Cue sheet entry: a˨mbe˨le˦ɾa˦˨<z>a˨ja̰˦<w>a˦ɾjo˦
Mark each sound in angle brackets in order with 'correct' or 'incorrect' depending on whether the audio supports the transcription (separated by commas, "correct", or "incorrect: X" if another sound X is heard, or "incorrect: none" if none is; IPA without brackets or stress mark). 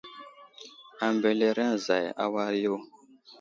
correct, correct